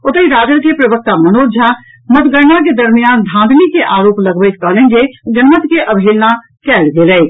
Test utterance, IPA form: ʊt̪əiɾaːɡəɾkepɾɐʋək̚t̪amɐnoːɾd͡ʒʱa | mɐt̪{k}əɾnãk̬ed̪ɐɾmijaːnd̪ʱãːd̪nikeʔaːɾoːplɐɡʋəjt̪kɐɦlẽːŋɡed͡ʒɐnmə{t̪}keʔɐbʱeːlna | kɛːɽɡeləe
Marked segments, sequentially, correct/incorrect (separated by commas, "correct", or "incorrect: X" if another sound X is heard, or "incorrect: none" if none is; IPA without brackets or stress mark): incorrect: ɡ, correct